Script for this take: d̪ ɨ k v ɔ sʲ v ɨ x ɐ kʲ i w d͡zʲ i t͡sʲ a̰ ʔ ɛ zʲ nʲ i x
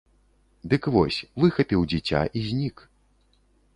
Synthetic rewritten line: d̪ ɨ k v ɔ sʲ v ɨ x ɐ pʲ i w d͡zʲ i t͡sʲ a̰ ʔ i zʲ nʲ i k